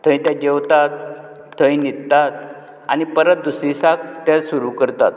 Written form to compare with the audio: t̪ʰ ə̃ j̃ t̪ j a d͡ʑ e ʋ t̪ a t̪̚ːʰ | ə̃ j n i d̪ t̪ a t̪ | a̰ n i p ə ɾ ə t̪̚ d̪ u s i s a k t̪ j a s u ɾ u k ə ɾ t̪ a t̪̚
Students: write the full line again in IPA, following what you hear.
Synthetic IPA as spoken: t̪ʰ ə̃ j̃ t̪ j a d͡ʑ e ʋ t̪ a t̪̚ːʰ | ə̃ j n i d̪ t̪ a t̪ | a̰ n i p ə ɾ ə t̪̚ d̪ u s i s a k t̪ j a s u ɾ u k ə ɾ t̪ a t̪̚

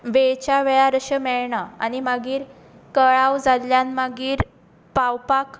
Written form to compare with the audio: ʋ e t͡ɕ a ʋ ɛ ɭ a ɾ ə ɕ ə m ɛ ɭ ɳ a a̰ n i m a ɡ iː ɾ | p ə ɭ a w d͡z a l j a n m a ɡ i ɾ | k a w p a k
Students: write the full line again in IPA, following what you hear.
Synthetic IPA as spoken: ʋ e t͡ɕ a ʋ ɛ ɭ a ɾ ə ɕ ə m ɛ ɭ ɳ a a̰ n i m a ɡ iː ɾ | k ə ɭ a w d͡z a l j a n m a ɡ iː ɾ | p a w p a k

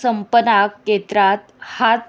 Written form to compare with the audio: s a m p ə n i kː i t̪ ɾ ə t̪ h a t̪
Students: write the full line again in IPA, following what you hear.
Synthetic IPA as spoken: s ə m p ə n a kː e t̪ ɾ a t̪ h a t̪

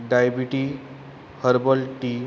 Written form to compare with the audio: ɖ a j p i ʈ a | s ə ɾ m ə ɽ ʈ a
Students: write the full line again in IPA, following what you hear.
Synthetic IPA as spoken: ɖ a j b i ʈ i | h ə ɾ b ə l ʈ i

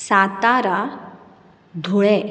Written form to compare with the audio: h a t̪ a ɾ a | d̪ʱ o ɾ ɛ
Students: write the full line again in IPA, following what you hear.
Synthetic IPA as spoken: s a t̪ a ɾ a | d̪ʱ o ɭ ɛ

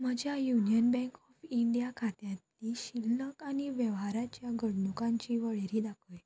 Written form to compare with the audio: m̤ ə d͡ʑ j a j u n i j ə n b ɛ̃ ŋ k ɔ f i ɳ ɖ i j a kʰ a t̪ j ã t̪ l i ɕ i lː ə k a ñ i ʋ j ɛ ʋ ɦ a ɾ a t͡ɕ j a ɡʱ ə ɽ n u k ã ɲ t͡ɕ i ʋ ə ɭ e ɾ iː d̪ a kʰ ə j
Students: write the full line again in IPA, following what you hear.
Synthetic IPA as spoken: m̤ ə d͡ʑ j a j u n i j ə n b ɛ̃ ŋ k ɔ f i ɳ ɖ i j a kʰ a t̪ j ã t̪ l i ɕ i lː ə k a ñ i ʋ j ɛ ʋ ɦ a ɾ a t͡ɕ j a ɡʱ ə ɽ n u k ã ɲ t͡ɕ i ʋ ə ɭ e ɾ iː d̪ a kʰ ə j

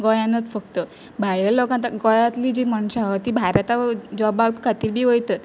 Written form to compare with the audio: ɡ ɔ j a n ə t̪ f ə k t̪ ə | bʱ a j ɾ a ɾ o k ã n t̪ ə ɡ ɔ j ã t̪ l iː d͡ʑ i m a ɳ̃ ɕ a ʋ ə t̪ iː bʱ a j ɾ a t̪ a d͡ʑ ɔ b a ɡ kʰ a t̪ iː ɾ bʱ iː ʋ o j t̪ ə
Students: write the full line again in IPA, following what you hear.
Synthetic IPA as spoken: ɡ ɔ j a n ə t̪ f ə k t̪ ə | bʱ a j ɾ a l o k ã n t̪ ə ɡ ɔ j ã t̪ l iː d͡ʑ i m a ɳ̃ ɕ a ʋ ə t̪ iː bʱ a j ɾ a t̪ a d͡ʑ ɔ b a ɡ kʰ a t̪ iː ɾ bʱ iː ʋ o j t̪ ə

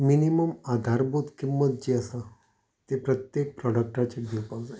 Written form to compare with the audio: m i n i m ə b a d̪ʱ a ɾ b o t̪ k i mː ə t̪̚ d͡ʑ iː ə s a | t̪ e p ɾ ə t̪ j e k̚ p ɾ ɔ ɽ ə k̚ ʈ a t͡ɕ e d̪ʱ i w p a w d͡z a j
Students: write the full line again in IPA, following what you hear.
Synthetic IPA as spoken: m i n i m ə m a d̪ʱ a ɾ b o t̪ k i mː ə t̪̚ d͡ʑ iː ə s a | t̪ e p ɾ ə t̪ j e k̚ p ɾ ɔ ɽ ə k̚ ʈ a t͡ɕ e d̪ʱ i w p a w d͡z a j

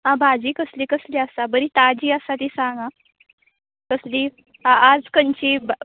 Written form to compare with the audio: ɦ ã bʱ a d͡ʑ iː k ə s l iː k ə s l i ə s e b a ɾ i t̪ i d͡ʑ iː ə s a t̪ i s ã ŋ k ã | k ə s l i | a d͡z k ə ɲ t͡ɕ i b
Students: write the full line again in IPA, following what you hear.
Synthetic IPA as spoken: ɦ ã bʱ a d͡ʑ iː k ə s l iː k ə s l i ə s a b ə ɾ i t̪ a d͡ʑ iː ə s a t̪ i s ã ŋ ɡ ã | k ə s l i | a d͡z k ə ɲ t͡ɕ i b

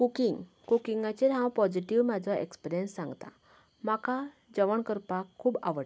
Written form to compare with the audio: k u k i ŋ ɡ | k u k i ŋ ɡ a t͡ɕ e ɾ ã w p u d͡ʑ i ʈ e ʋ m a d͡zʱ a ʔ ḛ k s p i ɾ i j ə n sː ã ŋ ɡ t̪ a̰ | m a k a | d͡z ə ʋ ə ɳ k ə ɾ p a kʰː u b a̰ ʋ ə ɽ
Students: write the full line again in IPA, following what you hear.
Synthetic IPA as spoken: k u k i ŋ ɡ | k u k i ŋ ɡ a t͡ɕ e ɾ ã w p ɔ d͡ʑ i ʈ i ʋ m a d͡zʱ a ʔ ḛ k s p i ɾ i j ə n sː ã ŋ ɡ t̪ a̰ | m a k a | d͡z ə ʋ ə ɳ k ə ɾ p a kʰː uː b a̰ ʋ ə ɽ

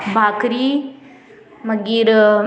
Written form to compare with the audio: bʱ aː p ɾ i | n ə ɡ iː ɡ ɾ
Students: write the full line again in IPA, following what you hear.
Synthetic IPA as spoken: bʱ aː k ɾ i | m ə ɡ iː ɾ

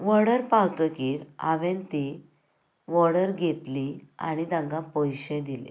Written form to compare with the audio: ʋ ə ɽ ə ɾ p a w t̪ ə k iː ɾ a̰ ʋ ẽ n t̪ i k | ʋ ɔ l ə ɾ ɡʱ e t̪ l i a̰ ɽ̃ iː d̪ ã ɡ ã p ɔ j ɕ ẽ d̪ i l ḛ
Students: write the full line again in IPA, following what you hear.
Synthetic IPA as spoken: ʋ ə ɽ ə ɾ p a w t̪ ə k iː ɾ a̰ ʋ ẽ n t̪ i | ʋ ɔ ɽ ə ɾ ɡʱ e t̪ l i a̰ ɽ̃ i d̪ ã ɡ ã p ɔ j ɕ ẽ d̪ i l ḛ

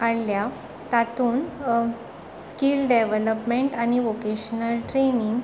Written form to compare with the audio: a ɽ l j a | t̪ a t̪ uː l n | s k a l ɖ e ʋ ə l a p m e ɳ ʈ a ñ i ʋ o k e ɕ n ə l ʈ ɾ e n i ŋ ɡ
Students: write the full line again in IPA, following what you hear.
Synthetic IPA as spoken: a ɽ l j a | t̪ a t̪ uː n | s k i l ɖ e ʋ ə l ə p m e ɳ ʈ a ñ i ʋ o k e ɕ n ə l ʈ ɾ e n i ŋ ɡ

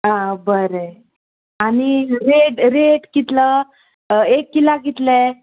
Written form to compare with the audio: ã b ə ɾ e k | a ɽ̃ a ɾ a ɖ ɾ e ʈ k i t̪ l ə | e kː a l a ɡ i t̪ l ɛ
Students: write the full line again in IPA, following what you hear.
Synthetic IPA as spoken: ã b ə ɾ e | a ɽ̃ i ɾ e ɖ ɾ e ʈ k i t̪ l ə | e kː i l a ɡ i t̪ l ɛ

